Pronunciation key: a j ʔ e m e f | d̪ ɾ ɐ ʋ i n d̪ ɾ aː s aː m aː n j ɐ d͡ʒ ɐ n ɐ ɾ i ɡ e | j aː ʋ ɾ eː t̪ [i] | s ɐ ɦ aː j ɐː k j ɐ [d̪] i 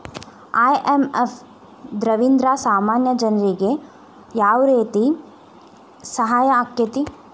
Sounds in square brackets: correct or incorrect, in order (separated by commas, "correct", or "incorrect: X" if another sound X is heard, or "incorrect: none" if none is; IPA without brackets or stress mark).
correct, incorrect: t̪